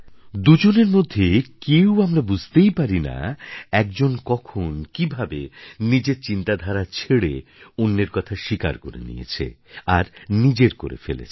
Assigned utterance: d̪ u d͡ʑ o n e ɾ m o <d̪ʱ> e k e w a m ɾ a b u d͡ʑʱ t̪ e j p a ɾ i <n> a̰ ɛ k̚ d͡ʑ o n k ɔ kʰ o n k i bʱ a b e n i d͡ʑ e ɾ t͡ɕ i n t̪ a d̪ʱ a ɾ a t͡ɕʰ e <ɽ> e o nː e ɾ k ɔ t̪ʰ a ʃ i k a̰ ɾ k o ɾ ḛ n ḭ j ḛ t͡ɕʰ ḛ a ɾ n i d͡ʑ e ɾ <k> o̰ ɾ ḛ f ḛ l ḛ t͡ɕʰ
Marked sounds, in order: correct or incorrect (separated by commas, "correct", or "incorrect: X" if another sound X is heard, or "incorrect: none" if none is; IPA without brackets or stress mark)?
incorrect: d̪ʱː, correct, correct, correct